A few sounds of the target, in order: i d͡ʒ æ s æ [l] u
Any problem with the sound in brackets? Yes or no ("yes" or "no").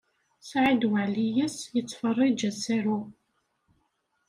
yes